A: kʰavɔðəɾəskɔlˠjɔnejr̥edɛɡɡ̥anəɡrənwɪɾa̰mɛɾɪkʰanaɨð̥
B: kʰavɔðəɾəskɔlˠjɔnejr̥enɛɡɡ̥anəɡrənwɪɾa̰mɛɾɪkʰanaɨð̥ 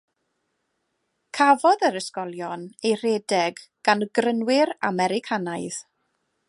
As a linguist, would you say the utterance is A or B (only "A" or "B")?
A